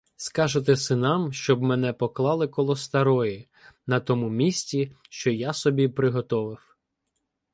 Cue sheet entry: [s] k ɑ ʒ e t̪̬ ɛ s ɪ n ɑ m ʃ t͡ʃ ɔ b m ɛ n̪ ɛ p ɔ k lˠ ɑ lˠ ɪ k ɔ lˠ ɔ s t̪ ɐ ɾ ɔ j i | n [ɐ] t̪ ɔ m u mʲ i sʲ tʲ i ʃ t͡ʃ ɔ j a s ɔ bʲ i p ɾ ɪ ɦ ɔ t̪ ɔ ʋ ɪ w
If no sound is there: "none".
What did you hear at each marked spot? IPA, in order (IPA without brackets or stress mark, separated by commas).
s, ɐ